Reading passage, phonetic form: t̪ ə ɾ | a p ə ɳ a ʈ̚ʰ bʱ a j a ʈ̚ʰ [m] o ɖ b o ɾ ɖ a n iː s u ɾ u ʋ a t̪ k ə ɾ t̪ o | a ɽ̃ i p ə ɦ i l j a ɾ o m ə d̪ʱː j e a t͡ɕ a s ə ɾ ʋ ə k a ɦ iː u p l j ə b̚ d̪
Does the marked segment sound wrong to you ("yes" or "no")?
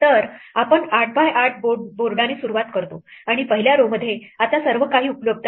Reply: yes